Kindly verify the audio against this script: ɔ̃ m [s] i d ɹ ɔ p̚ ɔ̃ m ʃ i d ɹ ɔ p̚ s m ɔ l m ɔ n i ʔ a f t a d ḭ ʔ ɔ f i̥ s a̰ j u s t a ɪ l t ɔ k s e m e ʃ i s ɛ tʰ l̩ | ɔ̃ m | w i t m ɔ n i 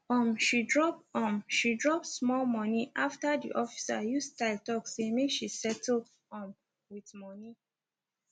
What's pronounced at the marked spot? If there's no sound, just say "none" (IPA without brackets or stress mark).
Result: ʃ